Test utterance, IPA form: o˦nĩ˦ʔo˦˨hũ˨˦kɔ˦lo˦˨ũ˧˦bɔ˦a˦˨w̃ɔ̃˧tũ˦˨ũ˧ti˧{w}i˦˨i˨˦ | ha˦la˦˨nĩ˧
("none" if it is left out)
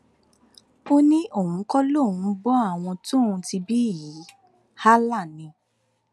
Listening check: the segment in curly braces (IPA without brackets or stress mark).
b